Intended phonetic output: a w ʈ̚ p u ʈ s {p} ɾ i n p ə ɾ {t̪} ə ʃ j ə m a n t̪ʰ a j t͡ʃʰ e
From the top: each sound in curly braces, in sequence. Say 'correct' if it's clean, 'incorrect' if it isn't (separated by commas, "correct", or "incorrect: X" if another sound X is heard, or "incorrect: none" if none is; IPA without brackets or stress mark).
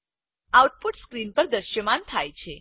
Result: incorrect: k, incorrect: d̪